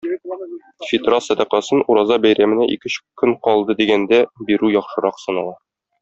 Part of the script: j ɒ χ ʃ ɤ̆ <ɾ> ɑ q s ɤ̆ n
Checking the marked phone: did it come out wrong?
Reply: no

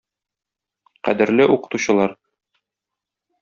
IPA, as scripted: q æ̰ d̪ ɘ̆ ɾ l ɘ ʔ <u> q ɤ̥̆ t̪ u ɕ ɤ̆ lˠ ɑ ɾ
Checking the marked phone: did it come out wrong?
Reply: no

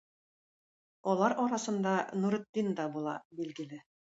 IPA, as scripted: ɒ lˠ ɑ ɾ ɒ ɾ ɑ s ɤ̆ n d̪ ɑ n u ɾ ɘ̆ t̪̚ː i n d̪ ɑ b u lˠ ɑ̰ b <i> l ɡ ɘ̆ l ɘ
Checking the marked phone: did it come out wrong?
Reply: no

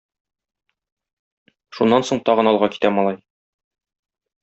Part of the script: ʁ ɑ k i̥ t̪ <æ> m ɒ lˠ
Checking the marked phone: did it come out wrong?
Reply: no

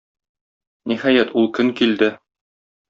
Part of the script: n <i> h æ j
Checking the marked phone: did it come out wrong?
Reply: no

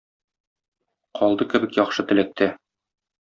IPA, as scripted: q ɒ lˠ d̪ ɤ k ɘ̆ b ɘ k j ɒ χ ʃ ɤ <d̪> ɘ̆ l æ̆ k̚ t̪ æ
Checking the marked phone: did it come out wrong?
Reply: yes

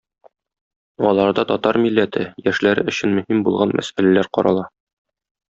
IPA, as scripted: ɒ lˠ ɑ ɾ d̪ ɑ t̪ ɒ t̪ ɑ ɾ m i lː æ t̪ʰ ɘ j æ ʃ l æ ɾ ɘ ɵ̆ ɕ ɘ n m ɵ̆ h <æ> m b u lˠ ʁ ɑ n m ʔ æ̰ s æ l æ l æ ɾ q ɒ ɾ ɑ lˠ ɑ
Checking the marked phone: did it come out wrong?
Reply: yes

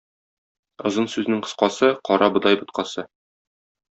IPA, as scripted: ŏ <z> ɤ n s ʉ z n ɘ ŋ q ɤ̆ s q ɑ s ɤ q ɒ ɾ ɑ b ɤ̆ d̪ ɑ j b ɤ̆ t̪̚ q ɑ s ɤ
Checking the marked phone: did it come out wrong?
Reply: no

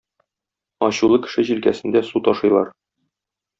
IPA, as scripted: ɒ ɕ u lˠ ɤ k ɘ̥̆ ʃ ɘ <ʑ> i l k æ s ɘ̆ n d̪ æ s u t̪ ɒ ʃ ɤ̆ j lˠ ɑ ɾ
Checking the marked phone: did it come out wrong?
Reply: no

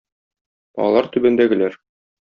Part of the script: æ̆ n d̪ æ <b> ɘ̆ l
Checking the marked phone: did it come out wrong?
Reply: yes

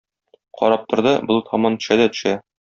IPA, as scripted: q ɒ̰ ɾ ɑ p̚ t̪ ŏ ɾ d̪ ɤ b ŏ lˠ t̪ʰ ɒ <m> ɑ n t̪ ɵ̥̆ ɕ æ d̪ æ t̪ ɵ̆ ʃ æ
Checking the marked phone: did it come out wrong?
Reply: no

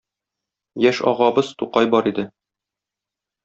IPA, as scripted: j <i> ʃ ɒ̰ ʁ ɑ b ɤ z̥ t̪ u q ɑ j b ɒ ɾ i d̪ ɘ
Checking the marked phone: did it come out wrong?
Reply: yes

